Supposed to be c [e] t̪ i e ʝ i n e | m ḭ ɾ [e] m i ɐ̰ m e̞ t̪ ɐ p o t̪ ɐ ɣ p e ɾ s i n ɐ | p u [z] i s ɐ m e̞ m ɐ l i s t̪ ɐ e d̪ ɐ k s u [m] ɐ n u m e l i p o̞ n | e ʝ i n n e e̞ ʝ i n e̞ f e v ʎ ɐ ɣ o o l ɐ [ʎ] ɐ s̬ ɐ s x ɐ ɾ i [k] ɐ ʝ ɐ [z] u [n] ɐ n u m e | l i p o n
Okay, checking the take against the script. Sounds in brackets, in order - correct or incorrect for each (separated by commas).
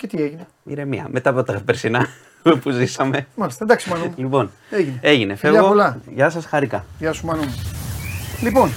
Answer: correct, correct, correct, correct, incorrect, correct, incorrect, incorrect